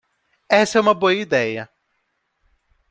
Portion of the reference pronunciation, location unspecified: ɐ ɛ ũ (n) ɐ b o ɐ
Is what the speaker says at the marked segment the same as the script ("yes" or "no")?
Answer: no